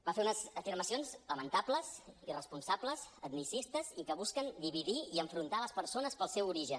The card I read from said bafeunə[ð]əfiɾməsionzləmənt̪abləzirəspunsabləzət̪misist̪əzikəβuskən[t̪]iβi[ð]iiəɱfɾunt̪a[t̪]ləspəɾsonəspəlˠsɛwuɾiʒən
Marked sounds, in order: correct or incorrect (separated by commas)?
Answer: incorrect, incorrect, correct, incorrect